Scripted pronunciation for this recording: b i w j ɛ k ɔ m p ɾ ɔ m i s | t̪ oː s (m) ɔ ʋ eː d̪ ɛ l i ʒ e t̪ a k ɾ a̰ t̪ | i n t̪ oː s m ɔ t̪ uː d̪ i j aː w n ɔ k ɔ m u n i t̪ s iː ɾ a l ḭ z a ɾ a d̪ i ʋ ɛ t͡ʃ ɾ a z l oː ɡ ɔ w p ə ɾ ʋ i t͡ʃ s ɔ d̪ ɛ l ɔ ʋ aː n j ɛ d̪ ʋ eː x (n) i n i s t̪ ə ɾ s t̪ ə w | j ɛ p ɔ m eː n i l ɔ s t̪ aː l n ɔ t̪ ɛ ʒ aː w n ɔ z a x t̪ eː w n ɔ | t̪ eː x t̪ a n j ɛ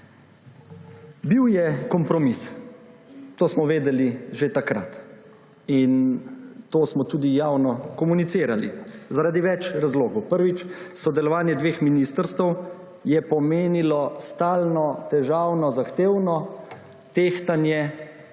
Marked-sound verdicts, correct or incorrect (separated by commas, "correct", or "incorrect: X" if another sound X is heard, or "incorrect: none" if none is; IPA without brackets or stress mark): correct, incorrect: m